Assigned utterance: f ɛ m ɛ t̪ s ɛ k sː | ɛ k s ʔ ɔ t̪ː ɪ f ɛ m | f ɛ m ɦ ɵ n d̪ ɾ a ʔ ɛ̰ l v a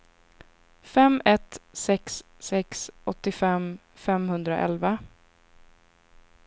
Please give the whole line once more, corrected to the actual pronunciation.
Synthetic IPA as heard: f ɛ m ɛ t̪ s ɛ k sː | ɛ k s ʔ ɔ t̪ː ɪ f ɛ m | f ɛ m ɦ ɵ n d̪ ɾ a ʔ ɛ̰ l v a

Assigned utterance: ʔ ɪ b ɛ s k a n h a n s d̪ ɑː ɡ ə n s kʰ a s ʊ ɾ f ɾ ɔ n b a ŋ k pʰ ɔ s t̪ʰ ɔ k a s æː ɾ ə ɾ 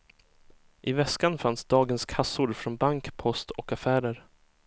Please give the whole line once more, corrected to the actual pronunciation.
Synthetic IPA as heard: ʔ ɪ v ɛ s k a n f a n s d̪ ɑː ɡ ə n s kʰ a s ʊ ɾ f ɾ ɔ n b a ŋ k pʰ ɔ s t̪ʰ ɔ k a f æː ɾ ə ɾ

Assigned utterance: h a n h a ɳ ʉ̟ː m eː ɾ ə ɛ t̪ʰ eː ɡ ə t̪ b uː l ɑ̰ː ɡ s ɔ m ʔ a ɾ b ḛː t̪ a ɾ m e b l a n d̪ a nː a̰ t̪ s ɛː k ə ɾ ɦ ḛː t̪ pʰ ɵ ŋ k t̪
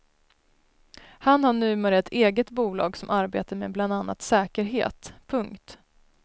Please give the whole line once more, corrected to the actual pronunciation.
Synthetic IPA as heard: h a n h a ɳ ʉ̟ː m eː ɾ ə ɛ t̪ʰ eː ɡ ə t̪ b uː l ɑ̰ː ɡ s ɔ m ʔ a ɾ b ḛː t̪ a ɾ m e b l a n d̪ a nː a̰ t̪ s ɛː k ə ɾ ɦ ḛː t̪ pʰ ɵ ŋ k t̪

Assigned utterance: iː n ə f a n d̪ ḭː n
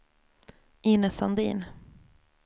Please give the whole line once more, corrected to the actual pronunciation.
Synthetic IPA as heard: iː n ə s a n d̪ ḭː n

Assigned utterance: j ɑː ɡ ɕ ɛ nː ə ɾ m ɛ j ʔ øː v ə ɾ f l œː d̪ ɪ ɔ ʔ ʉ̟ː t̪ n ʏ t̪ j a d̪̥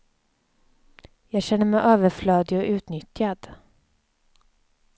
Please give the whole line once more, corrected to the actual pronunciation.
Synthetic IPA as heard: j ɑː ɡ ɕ ɛ nː ə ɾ m ɛ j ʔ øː v ə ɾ f l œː d̪ ɪ ɔ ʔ ʉ̟ː t̪ n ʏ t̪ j a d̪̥

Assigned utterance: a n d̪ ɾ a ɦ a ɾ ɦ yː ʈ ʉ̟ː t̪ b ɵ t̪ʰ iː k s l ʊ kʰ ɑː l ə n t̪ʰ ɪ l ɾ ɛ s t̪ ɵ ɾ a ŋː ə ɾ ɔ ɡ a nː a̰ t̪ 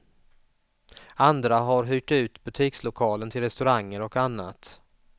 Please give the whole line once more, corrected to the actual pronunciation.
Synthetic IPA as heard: a n d̪ ɾ a ɦ a ɾ ɦ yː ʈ ʉ̟ː t̪ b ɵ t̪ʰ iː k s l ʊ kʰ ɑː l ə n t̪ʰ ɪ l ɾ ɛ s t̪ ɵ ɾ a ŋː ə ɾ ɔ k a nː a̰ t̪

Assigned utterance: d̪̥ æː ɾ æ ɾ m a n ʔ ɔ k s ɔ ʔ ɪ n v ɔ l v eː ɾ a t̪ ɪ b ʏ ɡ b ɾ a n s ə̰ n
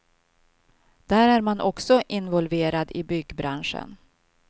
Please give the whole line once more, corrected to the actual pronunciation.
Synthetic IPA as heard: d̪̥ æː ɾ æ ɾ m a n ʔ ɔ k s ɔ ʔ ɪ n v ɔ l v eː ɾ a d̪ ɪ b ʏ ɡ b ɾ a n ʂ ə̰ n

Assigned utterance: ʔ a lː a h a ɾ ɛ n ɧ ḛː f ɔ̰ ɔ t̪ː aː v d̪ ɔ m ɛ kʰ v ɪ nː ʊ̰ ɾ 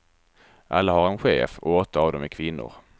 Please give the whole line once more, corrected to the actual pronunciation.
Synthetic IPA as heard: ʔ a lː a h a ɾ ɛ n ɧ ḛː f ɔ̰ ɔ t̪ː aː v d̪ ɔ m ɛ kʰ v ɪ nː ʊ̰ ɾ

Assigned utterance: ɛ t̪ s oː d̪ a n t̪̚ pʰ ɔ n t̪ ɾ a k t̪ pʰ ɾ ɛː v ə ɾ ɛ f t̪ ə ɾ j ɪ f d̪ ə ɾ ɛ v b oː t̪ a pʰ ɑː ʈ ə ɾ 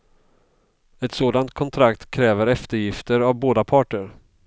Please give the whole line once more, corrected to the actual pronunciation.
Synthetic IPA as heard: ɛ t̪ s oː d̪ a n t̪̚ kʰ ɔ n t̪ʰ ɾ a k t̪ kʰ ɾ ɛː v ə ɾ ɛ f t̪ ə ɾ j ɪ f t̪ ə ɾ a v b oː d̪ a pʰ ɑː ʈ ə ɾ

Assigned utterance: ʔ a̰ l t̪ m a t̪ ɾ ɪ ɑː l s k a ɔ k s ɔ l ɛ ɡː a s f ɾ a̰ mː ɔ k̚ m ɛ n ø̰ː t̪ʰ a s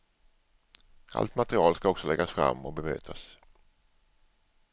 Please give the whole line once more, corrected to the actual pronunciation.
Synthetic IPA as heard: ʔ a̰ l t̪ m a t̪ ɾ ɪ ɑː l s k a ɔ k s ɔ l ɛ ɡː a s f ɾ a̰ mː ɔ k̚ b ɛ m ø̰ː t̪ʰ a s

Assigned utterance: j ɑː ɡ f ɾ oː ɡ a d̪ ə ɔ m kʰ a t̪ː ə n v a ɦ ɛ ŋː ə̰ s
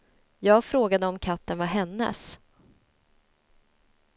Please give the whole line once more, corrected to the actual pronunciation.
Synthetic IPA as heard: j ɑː ɡ f ɾ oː ɡ a d̪ ə ɔ m kʰ a t̪ː ə n v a ɦ ɛ nː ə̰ s

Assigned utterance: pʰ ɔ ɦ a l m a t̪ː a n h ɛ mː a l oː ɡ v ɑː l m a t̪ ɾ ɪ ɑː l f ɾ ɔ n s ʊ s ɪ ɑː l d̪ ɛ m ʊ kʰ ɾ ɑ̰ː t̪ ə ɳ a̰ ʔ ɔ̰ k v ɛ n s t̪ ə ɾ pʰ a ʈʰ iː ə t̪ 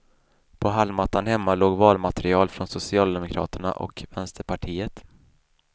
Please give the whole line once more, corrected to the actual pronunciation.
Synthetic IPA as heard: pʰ ɔ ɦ a l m a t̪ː a n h ɛ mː a l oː ɡ v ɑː l m a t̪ ɾ ɪ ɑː l f ɾ ɔ n s ʊ s ɪ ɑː l d̪ ɛ m ʊ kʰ ɾ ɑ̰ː t̪ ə ɳ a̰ ʔ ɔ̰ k v ɛ n s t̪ ə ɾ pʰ a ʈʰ iː ə t̪

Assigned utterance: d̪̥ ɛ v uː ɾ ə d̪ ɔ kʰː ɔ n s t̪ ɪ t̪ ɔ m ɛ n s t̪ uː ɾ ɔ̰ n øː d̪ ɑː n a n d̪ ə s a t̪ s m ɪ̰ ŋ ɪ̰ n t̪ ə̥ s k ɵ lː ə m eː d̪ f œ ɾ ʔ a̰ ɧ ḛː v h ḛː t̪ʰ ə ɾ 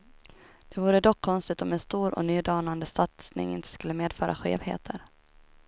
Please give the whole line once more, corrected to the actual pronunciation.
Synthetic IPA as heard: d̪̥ ɛ v uː ɾ ə d̪ ɔ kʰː ɔ n s t̪ ɪ t̪ ɔ m ɛ n s t̪ uː ɾ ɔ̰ n yː d̪ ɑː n a n d̪ ə s a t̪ s n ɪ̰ ŋ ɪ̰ n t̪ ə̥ s k ɵ lː ə m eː d̪ f œː ɾ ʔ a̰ ɧ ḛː v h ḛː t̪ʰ ə ɾ

